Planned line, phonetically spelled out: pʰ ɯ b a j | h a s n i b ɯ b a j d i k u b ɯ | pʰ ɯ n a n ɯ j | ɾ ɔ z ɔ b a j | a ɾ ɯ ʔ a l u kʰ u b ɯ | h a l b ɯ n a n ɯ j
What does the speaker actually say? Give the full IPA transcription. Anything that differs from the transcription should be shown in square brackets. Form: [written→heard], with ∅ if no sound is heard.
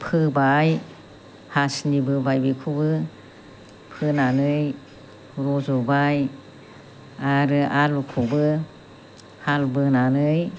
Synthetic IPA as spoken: pʰ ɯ b a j | h a s n i b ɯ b a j [d→b] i [k→kʰ] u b ɯ | pʰ ɯ n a n ɯ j | ɾ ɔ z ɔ b a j | a ɾ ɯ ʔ a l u kʰ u b ɯ | h a l b ɯ n a n ɯ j